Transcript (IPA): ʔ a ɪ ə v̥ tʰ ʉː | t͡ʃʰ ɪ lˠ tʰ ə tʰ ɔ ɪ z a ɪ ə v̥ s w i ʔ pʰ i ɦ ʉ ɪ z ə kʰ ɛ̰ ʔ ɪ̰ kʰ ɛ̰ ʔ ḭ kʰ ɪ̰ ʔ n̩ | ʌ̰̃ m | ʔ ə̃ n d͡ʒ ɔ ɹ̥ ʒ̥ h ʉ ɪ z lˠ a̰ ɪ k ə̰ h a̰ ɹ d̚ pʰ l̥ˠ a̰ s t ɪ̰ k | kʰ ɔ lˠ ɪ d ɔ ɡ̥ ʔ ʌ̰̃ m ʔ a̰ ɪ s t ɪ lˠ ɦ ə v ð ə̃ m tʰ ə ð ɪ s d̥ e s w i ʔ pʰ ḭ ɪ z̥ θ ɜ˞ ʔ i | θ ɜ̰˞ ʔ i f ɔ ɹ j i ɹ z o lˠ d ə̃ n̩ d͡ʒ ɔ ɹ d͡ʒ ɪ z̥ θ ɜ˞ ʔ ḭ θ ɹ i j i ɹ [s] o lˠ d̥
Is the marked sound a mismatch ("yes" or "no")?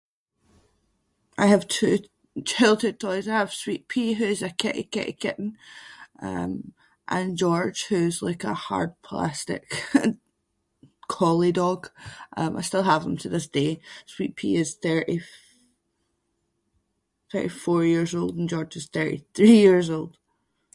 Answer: yes